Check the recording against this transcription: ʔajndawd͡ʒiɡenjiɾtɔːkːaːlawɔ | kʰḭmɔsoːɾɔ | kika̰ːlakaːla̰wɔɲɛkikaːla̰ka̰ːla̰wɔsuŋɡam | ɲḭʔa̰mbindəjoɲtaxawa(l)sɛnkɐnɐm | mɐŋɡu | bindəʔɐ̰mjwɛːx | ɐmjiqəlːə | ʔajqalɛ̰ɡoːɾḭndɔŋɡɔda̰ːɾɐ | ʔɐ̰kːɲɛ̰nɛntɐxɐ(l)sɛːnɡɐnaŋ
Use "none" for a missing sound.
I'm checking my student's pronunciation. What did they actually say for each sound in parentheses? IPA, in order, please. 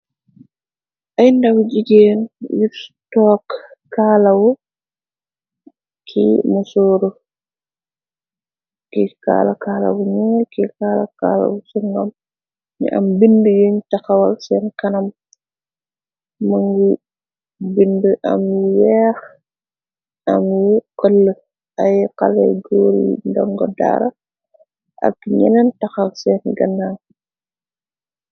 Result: l, l

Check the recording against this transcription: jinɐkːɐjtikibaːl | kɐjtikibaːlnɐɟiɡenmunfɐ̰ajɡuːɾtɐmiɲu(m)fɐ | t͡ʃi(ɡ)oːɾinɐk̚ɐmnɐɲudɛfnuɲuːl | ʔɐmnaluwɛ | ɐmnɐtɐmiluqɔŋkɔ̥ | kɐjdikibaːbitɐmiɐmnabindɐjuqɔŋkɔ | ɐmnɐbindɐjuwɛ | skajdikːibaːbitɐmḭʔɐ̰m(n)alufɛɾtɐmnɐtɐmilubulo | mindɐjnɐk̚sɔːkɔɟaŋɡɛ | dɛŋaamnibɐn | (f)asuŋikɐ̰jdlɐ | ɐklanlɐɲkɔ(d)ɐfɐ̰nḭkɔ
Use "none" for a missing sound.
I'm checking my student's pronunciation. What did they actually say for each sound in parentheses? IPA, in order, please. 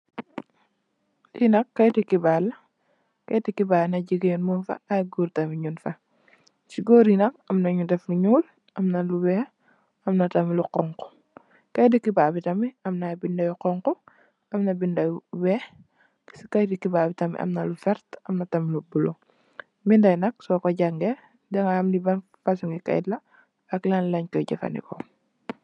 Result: n, ɡ, n, f, ɟ

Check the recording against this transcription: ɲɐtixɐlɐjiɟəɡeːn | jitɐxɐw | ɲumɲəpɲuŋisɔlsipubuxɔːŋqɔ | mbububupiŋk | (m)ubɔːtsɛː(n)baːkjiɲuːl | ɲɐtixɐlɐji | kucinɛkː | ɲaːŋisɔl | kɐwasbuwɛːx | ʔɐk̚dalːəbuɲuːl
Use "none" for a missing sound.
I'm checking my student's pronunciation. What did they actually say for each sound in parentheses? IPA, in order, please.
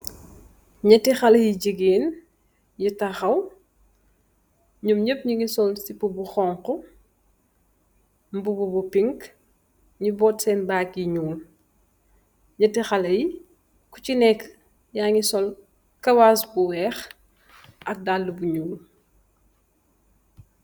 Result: ɲ, n

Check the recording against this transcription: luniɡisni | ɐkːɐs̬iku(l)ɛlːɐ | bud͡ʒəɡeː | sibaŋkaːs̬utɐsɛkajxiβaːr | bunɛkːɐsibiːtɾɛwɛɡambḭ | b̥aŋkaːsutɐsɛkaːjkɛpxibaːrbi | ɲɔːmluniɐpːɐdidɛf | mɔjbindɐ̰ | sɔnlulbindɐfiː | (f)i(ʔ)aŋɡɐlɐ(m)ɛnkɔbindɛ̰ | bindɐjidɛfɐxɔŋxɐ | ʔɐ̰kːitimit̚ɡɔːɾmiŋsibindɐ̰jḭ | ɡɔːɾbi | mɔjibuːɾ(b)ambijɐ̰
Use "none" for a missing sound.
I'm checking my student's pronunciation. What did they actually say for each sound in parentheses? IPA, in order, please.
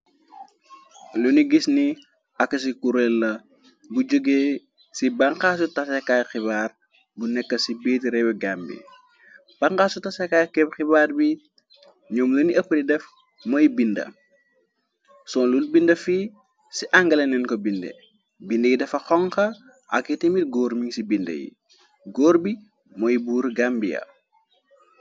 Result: ɾ, s, ʔ, n, ɡ

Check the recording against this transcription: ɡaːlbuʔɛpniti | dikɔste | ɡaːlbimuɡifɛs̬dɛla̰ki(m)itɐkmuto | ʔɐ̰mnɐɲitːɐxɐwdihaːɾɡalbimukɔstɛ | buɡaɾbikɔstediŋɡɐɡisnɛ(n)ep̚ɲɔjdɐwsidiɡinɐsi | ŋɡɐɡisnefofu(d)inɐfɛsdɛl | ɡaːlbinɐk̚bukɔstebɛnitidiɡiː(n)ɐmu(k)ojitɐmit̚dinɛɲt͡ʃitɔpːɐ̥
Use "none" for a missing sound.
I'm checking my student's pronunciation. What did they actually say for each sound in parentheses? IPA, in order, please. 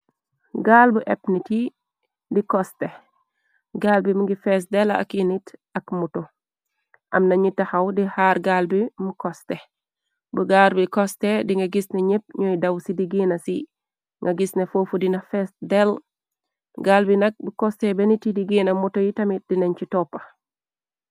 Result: n, ɲ, d, n, t

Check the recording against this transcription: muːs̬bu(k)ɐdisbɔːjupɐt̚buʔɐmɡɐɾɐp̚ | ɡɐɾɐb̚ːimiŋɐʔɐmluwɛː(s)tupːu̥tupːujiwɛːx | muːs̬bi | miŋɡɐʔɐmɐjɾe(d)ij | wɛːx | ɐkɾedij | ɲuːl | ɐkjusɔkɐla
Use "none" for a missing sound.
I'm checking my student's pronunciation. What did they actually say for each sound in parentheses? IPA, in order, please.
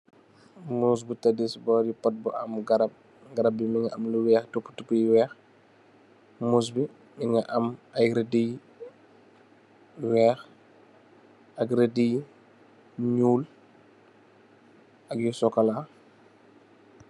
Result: t, x, d

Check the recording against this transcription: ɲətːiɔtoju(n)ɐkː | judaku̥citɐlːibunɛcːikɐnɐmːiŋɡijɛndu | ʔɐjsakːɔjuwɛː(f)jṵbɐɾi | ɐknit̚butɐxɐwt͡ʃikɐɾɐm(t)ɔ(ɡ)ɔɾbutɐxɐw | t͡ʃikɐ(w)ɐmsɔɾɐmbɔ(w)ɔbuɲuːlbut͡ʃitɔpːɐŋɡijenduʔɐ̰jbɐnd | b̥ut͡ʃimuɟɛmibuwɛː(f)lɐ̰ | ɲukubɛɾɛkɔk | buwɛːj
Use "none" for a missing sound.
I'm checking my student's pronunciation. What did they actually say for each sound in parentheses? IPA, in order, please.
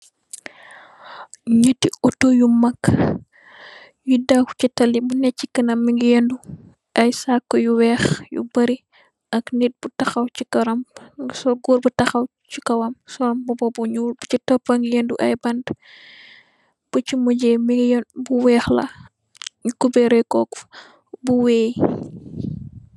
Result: m, x, s, ɡ, w, b, x

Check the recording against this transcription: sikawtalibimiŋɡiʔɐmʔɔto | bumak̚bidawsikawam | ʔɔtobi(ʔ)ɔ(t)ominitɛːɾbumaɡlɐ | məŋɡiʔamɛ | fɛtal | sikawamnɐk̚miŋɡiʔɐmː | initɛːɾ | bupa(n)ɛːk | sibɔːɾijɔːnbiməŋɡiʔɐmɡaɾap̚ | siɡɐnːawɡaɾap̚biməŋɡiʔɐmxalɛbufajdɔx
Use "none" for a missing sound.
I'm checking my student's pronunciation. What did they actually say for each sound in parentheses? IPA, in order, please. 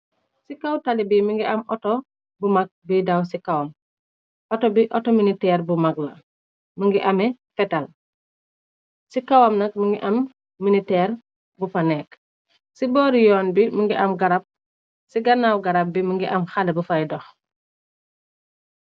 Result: ʔ, t, n

